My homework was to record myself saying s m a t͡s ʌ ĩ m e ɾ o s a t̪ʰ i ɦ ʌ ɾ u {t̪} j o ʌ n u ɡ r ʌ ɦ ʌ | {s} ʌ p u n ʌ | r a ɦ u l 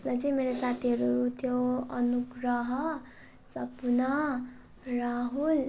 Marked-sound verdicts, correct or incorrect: incorrect, correct

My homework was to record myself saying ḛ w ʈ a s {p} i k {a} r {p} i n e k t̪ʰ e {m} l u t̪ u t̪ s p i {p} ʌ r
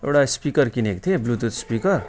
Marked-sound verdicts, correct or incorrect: correct, incorrect, incorrect, incorrect, incorrect

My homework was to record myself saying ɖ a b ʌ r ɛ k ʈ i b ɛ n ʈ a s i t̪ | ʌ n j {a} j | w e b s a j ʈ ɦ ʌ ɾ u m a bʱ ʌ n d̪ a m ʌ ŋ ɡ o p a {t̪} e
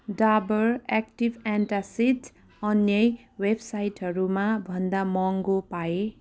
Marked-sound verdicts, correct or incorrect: incorrect, incorrect

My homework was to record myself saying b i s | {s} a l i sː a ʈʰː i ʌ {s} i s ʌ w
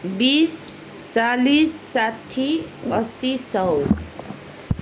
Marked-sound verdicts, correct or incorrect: incorrect, correct

